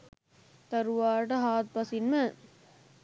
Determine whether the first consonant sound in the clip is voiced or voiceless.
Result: voiceless